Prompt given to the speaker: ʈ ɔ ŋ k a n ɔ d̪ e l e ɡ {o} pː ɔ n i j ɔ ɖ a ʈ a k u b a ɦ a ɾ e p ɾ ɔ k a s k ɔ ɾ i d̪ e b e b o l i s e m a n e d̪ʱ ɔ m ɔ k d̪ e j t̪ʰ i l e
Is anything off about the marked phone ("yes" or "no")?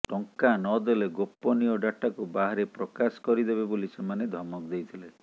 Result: no